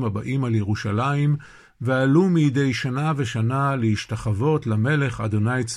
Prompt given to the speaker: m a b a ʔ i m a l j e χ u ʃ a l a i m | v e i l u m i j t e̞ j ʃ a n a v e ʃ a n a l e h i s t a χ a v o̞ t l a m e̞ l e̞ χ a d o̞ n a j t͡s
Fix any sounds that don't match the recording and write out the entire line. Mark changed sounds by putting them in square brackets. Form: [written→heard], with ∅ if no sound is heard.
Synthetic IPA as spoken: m a b a ʔ i m a l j e [χ→ʁ] u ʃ a l a i m | v e [i→a] l u m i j [t→d] e̞ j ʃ a n a v e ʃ a n a l e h i [s→ʃ] t a χ a v o̞ t l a m e̞ l e̞ χ a d o̞ n a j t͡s